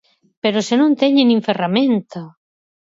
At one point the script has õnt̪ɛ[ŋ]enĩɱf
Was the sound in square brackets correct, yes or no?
no